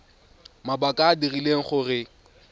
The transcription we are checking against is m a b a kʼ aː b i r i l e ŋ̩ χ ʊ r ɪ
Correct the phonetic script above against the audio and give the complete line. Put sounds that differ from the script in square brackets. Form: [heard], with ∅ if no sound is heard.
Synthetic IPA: m a b a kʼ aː [d] i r i l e ŋ̩ χ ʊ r ɪ